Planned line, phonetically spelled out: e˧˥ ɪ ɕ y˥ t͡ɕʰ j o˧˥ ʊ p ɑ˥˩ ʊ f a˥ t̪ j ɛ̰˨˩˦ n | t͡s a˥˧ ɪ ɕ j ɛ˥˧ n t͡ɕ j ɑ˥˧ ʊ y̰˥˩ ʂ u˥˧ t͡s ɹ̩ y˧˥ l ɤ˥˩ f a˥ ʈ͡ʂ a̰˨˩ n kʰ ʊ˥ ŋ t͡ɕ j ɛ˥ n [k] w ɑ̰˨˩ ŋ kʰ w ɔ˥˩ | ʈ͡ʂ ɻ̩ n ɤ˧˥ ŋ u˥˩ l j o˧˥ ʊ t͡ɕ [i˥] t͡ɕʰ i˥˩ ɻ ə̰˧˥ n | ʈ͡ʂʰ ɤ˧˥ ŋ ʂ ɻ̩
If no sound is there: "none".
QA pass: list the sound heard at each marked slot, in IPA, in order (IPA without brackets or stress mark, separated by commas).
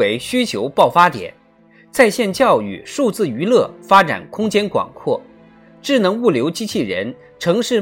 k, i˥